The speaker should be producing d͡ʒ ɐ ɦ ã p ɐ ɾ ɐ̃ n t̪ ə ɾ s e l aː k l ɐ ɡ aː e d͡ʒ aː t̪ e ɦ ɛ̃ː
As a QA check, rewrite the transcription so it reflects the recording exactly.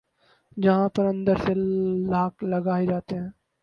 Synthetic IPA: d͡ʒ ɐ ɦ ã p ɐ ɾ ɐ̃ n d̪ ə ɾ s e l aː k l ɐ ɡ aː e d͡ʒ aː t̪ e ɦ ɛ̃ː